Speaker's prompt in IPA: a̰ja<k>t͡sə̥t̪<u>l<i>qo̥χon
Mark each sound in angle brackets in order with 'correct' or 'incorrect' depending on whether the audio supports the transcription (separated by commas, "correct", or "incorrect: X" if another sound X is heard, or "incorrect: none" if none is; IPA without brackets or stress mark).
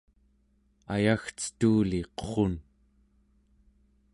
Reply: incorrect: x, incorrect: uː, correct